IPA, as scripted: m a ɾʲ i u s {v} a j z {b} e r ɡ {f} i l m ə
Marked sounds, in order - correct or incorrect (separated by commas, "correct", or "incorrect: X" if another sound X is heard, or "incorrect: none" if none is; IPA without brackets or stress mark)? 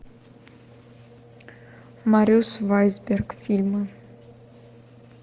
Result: correct, correct, correct